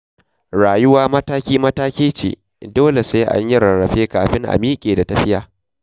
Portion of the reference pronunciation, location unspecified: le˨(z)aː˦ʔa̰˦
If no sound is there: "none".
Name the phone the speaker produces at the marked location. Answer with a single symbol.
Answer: s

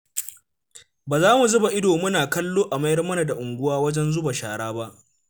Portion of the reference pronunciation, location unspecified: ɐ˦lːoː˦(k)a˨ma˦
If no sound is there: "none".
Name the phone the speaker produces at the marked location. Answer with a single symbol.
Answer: ʔ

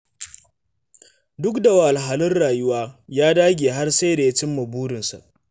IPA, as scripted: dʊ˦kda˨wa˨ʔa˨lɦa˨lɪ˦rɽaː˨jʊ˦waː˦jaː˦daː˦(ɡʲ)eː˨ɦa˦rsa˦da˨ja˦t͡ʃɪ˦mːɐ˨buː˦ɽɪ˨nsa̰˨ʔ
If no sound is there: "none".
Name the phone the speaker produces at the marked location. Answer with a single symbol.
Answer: ɡʲ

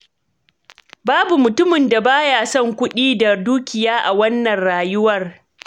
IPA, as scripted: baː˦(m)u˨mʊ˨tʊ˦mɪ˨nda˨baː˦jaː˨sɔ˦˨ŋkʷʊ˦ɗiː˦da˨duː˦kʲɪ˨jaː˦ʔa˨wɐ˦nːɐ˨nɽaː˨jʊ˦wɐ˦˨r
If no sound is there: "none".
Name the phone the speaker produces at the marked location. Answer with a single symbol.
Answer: b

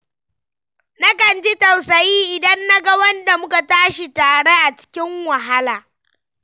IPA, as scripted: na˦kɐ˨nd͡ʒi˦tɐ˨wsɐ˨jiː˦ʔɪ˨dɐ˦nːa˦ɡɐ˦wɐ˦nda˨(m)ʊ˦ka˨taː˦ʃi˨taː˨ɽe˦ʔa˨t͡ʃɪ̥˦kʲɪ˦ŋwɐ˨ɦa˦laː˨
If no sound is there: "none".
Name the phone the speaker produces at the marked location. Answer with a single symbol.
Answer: m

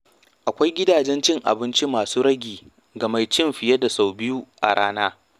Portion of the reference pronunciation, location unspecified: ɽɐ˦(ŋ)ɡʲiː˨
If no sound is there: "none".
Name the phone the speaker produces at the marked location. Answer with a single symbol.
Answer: none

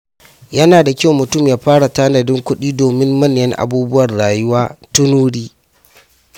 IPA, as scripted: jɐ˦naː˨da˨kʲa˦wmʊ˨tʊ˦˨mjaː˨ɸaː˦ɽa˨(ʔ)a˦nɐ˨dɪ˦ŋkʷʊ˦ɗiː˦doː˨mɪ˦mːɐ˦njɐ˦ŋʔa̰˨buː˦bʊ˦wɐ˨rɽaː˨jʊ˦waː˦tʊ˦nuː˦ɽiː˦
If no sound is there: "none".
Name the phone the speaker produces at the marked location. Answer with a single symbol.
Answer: t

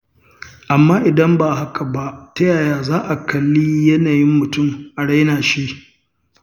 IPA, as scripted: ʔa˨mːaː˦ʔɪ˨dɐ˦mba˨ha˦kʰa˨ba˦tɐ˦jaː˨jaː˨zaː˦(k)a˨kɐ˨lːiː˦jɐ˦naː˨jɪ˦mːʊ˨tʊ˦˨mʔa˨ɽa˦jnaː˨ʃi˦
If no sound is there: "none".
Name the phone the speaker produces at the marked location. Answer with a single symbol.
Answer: ʔ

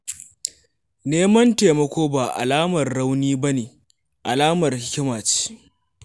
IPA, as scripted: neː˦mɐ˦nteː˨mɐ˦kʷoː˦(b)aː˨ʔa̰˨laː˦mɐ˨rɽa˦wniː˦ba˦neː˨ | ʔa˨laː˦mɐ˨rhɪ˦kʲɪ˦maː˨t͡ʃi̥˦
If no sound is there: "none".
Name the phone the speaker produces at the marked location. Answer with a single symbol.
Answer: b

